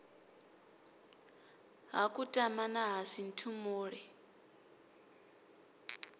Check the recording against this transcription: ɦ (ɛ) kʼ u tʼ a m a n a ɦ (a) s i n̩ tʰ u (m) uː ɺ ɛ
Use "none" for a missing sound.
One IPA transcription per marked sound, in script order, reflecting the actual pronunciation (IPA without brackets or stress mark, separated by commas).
a, a, m